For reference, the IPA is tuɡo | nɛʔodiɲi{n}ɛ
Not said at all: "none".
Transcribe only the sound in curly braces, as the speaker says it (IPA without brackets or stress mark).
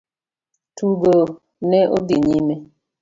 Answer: m